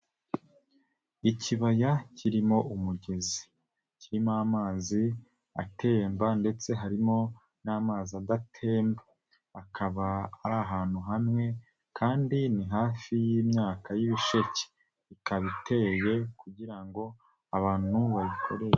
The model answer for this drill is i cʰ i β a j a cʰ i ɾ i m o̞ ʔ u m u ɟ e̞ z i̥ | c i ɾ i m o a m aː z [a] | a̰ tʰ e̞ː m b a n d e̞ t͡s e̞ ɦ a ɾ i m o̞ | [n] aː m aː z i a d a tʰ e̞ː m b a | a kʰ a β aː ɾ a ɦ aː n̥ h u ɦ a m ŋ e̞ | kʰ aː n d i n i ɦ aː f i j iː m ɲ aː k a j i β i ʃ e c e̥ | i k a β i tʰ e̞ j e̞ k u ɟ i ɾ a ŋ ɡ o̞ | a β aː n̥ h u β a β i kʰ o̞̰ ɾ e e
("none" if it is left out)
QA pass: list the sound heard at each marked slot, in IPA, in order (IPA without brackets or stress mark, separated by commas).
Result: i, n